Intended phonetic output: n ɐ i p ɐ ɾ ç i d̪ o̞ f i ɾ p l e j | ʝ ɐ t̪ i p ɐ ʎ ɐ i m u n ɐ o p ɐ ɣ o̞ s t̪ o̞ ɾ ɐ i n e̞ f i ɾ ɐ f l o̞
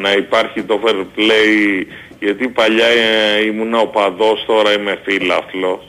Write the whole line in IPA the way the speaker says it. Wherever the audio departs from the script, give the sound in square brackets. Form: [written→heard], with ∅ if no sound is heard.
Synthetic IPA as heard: n ɐ i p ɐ ɾ ç i [d̪→t̪] o̞ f [i→e] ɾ p l e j | ʝ ɐ t̪ i p ɐ ʎ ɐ i m u n ɐ o p ɐ [ɣ→ð] o̞ s t̪ o̞ ɾ ɐ i [n→m] e̞ f i [ɾ→l] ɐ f l o̞